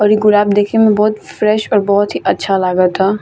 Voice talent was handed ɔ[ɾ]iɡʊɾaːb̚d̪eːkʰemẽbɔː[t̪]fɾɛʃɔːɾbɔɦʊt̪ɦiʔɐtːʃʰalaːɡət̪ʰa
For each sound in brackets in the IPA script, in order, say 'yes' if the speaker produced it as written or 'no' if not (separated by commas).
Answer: yes, yes